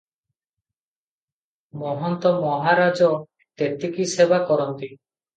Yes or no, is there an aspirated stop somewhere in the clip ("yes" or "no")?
no